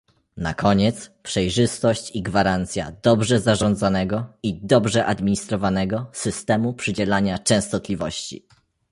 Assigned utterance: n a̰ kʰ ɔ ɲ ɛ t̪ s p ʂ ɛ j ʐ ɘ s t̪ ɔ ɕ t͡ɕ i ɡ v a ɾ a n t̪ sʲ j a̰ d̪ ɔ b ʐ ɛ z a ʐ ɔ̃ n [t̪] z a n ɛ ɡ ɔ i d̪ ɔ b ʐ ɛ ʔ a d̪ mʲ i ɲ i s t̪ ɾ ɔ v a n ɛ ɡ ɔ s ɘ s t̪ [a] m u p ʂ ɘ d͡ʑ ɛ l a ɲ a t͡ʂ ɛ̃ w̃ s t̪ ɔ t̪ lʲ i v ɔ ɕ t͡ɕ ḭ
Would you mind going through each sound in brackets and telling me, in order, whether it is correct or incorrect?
incorrect: d̪, incorrect: ɛ

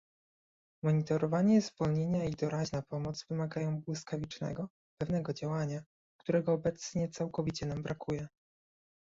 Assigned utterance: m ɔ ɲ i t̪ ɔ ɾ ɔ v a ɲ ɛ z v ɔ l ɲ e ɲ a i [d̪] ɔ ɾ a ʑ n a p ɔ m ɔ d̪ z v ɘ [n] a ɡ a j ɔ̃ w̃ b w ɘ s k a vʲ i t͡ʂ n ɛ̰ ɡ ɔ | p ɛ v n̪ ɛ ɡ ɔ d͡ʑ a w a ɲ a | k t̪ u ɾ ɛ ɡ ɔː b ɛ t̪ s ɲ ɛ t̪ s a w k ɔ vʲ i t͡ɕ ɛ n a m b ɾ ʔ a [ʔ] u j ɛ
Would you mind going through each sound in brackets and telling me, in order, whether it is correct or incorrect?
correct, incorrect: m, incorrect: k

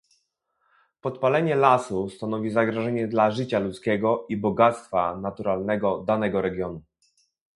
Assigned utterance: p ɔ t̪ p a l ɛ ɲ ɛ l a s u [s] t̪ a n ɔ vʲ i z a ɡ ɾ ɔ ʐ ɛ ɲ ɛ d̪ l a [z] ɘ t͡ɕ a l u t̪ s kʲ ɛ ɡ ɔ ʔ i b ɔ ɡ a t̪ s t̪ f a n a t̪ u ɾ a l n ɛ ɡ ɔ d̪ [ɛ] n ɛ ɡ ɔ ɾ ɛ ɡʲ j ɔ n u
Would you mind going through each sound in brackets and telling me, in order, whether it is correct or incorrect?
correct, incorrect: ʐ, incorrect: a

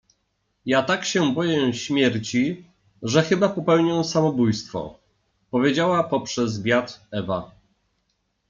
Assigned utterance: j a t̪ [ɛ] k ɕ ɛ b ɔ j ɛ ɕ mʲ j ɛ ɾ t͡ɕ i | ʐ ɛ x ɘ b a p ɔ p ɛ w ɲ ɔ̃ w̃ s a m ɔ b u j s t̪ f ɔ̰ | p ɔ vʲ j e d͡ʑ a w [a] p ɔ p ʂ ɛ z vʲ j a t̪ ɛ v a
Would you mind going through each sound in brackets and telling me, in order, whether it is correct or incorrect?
incorrect: a, correct

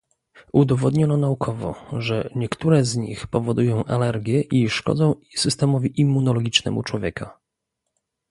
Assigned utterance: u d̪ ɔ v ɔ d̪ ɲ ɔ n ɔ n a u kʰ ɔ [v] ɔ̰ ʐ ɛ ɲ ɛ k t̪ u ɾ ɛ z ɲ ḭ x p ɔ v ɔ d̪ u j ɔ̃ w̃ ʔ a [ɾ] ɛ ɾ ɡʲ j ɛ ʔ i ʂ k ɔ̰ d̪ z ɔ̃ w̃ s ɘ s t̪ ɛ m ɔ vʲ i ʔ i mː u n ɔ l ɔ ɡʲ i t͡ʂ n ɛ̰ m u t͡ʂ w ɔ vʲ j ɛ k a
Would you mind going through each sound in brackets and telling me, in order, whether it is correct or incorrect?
correct, incorrect: l

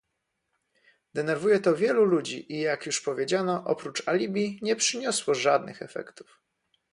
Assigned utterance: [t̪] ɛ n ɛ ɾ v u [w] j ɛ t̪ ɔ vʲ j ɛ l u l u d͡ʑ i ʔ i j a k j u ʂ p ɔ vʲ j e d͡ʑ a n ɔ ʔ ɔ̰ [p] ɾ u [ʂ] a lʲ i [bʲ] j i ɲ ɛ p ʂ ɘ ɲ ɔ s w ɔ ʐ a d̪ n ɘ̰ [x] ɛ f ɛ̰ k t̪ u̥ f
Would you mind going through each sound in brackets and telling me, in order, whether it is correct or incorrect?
incorrect: d̪, incorrect: none, correct, incorrect: t͡ʂ, correct, correct

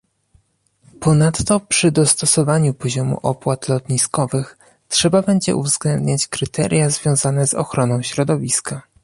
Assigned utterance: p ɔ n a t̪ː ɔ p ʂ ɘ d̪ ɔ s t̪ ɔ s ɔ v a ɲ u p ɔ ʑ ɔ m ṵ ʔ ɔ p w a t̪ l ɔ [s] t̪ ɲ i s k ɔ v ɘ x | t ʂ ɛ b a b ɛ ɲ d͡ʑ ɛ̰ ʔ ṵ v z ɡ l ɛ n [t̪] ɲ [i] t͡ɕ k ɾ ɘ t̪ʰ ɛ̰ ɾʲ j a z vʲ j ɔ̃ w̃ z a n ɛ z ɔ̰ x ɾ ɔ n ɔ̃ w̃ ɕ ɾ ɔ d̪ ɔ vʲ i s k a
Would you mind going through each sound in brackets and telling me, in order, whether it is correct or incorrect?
incorrect: none, incorrect: d̪, incorrect: a

